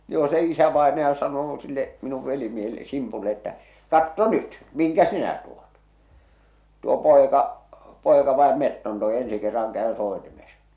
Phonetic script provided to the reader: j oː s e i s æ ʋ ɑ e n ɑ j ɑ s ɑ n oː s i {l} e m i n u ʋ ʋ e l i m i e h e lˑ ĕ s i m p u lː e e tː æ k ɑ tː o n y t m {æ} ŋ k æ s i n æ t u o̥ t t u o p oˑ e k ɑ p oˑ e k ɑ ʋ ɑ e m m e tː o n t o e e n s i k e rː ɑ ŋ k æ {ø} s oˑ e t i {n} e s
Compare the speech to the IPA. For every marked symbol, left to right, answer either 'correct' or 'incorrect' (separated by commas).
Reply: incorrect, incorrect, correct, incorrect